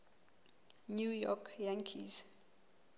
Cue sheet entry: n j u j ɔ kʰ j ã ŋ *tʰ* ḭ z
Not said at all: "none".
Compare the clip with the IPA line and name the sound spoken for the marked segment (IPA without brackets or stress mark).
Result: kʰ